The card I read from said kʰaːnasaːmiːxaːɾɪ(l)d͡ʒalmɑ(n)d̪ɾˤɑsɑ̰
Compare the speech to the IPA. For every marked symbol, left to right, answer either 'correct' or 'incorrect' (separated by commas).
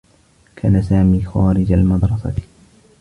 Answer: incorrect, incorrect